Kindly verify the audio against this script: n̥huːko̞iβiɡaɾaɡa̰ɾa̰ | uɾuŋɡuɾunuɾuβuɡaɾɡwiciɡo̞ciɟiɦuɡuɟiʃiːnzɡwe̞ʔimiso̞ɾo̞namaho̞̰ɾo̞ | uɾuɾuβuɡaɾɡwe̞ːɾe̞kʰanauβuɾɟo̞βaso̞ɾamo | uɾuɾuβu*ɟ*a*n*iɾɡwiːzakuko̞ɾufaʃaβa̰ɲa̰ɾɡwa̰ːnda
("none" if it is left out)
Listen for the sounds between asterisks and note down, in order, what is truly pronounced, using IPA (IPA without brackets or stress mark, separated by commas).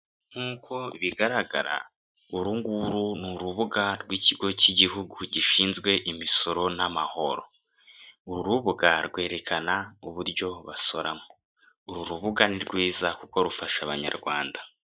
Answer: ɡ, n